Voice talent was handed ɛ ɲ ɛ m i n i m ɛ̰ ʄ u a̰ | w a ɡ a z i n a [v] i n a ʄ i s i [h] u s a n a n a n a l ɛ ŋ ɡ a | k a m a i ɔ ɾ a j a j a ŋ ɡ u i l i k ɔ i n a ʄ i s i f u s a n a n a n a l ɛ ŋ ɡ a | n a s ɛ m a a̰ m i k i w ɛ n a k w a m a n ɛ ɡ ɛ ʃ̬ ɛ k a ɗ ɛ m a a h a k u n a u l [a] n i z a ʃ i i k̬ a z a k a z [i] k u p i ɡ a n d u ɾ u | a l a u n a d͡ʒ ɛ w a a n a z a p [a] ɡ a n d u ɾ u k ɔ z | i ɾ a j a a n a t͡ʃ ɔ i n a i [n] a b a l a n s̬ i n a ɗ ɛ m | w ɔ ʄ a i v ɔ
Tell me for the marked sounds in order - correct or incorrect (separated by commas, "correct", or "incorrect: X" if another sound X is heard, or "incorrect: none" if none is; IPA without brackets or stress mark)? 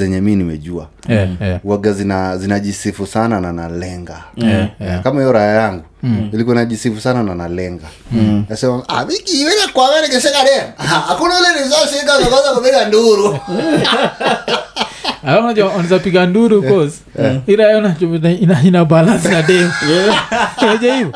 incorrect: z, incorrect: f, incorrect: ɛ, incorrect: a, incorrect: i, correct